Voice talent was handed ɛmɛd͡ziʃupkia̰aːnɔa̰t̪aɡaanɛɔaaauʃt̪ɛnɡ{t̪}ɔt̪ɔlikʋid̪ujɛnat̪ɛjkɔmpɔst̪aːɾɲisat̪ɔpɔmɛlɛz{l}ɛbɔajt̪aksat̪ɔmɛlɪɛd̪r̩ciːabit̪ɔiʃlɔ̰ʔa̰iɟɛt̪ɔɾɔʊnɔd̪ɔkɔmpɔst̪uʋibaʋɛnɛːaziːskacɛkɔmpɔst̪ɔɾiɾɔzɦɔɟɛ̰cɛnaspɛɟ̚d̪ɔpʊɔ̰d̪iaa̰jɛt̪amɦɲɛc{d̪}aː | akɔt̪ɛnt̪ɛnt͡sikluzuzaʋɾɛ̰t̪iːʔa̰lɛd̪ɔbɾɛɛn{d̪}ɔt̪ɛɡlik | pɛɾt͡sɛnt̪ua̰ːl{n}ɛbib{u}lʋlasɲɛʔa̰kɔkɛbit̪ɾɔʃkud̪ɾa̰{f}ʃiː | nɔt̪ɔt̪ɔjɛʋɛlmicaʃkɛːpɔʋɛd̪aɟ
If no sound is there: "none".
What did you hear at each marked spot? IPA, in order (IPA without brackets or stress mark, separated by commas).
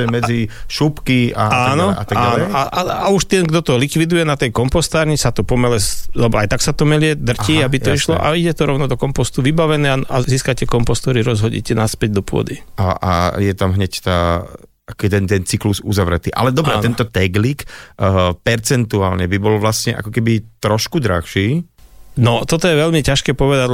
d̪, l, t̪, t̪, ɲ, ɔ, x